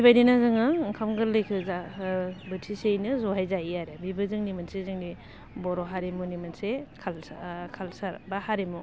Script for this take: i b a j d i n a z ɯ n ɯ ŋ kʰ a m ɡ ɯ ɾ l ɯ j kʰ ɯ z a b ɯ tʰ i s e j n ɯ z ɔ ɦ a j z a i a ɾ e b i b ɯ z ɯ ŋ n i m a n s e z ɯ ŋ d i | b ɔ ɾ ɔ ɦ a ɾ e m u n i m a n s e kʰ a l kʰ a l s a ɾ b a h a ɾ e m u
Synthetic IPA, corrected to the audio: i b a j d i n a z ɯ ŋ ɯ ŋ kʰ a m ɡ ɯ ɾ l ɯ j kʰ ɯ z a b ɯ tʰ i s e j n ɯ z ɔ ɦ a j z a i a ɾ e b i b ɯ z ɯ ŋ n i m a n s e z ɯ ŋ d i | b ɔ ɾ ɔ ɦ a ɾ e m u n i m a n s e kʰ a l kʰ a l s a ɾ b a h a ɾ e m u